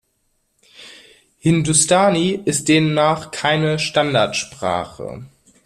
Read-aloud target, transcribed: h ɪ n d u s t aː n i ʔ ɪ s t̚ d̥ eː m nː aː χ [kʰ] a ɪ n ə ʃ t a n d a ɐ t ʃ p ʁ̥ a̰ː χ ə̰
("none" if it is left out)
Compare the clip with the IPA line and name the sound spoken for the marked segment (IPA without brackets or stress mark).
kʰ